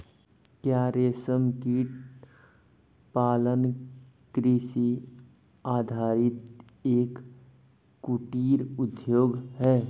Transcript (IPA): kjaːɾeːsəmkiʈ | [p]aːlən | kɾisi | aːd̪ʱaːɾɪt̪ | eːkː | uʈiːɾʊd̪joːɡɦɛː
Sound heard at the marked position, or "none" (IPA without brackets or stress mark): p